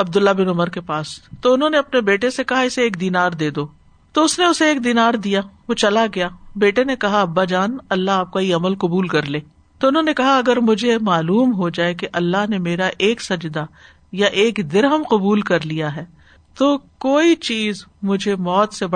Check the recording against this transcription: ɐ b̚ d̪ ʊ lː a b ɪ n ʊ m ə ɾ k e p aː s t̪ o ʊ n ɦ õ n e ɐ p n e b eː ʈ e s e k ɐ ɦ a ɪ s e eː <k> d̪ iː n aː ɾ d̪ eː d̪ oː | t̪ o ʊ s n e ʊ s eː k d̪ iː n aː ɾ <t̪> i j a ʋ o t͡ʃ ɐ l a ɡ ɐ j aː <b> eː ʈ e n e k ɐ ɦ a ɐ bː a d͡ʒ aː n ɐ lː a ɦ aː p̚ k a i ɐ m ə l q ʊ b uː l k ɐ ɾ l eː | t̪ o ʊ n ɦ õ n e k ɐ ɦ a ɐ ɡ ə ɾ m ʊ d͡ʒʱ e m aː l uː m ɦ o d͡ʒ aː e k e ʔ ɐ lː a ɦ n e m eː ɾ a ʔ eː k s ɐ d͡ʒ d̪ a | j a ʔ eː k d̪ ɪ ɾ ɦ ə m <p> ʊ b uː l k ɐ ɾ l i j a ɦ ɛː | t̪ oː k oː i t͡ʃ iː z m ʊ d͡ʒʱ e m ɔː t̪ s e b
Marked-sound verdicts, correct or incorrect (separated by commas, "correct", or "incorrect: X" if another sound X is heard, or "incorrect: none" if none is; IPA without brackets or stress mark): correct, incorrect: d̪, correct, incorrect: q